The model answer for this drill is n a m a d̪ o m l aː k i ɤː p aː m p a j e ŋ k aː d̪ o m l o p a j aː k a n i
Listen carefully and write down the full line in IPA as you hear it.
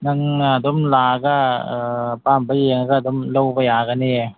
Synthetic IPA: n a ŋ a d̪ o m l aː k a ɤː p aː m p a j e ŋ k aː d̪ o m l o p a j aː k a n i